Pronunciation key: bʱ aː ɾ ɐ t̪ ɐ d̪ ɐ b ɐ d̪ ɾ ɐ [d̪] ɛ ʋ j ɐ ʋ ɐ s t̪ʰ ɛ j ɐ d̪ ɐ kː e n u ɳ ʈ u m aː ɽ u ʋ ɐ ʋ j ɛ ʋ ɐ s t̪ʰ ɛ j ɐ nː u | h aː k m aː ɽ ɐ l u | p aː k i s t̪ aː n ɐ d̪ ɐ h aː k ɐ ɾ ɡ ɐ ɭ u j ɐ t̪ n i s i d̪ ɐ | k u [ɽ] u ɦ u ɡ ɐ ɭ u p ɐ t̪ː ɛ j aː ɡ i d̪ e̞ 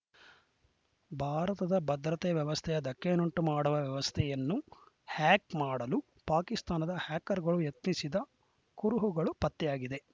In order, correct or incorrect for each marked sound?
incorrect: t̪, incorrect: ɾ

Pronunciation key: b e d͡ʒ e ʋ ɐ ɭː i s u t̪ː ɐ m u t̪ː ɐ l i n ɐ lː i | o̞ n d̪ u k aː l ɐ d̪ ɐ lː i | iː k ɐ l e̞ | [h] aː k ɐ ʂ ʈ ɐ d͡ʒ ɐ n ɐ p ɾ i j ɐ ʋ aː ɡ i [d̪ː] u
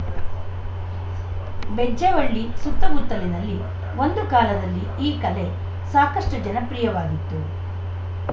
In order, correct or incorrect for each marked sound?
incorrect: s, incorrect: t̪ː

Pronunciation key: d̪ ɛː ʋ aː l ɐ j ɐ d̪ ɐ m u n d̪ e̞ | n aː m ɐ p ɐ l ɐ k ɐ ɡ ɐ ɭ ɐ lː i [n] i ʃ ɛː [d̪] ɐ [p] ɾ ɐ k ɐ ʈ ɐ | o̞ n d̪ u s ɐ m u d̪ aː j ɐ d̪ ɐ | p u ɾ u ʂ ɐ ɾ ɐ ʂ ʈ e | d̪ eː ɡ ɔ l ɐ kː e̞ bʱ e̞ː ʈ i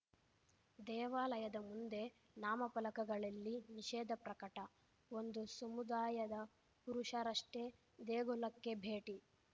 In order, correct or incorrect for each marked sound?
correct, correct, correct

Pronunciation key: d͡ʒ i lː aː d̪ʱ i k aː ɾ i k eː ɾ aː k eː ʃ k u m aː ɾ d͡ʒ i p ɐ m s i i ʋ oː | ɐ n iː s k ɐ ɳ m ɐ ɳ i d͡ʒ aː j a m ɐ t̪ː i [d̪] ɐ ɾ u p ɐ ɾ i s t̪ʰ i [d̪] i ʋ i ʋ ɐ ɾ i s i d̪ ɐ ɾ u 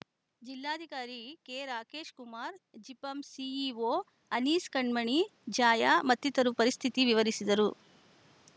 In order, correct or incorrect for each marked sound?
incorrect: t̪, incorrect: t̪

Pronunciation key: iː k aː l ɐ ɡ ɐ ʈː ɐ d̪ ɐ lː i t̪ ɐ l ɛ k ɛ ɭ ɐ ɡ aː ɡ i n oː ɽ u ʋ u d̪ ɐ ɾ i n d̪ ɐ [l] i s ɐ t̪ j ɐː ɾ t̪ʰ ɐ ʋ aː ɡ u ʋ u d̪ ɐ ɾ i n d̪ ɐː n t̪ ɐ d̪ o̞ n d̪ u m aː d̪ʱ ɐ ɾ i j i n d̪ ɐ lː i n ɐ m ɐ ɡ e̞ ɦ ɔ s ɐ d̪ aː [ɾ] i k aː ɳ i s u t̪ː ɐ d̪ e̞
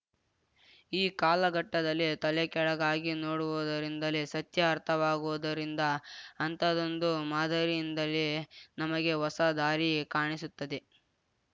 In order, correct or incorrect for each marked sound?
correct, correct

